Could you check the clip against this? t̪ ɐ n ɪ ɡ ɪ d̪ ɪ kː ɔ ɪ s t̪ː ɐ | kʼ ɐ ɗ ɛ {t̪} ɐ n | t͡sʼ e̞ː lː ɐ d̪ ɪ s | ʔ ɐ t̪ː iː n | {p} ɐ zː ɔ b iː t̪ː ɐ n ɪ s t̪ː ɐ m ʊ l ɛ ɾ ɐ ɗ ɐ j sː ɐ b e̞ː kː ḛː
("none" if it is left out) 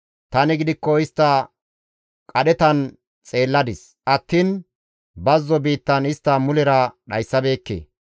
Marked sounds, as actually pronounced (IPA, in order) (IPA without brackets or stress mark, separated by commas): t̪, b